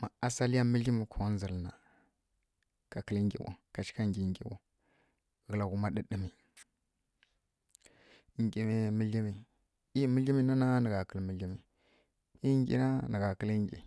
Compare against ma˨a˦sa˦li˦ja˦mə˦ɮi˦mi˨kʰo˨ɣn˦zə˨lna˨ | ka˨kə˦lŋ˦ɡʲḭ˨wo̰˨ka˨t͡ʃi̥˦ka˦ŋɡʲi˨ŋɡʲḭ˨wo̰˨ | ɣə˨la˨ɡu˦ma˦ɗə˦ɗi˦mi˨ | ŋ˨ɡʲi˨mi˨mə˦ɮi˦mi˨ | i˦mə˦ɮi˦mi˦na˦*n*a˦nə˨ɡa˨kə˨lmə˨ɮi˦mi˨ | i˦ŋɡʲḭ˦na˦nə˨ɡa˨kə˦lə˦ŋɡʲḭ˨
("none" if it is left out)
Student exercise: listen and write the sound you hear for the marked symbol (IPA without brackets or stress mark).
n